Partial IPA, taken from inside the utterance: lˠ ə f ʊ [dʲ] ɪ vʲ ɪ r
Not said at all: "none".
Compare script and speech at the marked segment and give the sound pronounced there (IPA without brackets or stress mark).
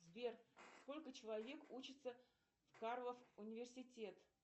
nʲ